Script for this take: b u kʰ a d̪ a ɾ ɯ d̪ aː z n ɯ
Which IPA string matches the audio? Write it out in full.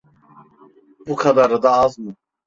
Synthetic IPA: b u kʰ a d̪ a ɾ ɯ d̪ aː z m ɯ